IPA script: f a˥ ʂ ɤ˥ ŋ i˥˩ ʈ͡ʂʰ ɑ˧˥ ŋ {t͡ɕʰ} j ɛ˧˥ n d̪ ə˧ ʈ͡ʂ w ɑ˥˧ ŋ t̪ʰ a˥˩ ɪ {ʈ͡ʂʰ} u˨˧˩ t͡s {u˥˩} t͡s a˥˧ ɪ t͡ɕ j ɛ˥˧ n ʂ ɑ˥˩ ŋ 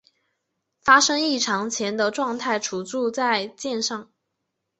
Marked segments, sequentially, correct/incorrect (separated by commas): correct, correct, incorrect